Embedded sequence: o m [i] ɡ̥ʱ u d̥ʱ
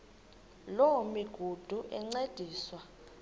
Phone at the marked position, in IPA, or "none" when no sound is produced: i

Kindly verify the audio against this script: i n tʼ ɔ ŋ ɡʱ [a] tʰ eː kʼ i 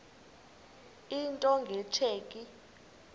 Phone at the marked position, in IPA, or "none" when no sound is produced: ɛ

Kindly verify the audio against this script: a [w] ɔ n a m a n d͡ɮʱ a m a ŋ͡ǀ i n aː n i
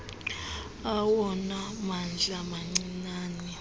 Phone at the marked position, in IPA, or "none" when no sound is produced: w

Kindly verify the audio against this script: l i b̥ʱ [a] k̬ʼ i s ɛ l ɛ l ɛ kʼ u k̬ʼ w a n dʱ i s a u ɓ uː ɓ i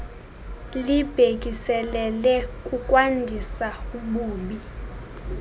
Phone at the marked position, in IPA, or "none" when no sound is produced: e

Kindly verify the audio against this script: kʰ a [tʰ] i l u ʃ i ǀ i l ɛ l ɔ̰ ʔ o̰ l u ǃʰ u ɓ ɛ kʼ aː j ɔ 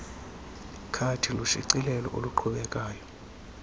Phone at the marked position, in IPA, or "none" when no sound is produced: tʰ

